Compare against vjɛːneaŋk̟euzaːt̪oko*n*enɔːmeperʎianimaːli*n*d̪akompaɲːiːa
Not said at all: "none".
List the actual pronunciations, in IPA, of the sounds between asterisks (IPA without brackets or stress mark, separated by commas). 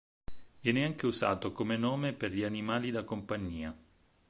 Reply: m, none